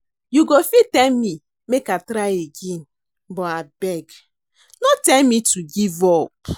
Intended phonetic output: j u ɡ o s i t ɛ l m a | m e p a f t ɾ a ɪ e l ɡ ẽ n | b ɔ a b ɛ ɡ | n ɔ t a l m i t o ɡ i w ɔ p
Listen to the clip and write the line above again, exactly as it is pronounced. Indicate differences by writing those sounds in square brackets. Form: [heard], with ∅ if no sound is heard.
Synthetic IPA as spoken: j u ɡ o [f] i t ɛ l m [i] | m e [k] a [∅] t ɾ a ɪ e [∅] ɡ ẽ n | b ɔ a b ɛ ɡ | n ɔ t [ɛ] l m i t [u] ɡ i [v] ɔ p